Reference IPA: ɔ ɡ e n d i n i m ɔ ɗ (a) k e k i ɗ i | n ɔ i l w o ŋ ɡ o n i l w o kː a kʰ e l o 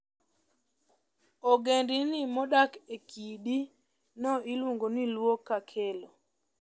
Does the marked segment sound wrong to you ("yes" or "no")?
no